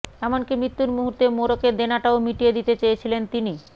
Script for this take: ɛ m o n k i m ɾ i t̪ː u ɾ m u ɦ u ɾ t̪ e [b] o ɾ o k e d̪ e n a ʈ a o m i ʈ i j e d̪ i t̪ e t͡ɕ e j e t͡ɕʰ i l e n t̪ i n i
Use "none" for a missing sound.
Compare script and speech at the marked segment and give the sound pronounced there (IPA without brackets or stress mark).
m